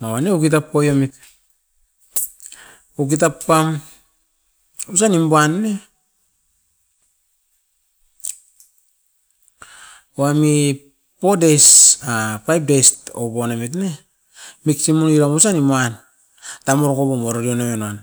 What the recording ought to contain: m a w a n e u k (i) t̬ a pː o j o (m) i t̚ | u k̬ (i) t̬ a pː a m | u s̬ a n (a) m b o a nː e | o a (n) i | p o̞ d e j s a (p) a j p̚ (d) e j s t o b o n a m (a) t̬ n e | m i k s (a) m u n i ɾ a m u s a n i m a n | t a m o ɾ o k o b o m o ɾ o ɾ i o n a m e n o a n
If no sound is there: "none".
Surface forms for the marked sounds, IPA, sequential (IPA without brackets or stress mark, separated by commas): i, m, i, i, m, p, d, i, i